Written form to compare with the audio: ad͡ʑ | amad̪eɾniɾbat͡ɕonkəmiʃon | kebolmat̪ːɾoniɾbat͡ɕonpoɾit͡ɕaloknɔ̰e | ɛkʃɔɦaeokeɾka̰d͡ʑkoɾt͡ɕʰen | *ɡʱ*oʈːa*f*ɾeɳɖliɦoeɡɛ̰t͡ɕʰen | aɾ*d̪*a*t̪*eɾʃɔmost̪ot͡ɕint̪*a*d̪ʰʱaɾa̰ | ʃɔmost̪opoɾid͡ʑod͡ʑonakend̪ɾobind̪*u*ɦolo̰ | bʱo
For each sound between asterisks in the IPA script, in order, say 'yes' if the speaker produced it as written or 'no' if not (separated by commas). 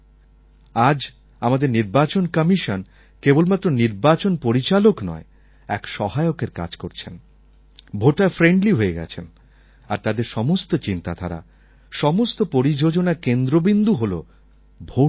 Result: no, yes, no, no, yes, yes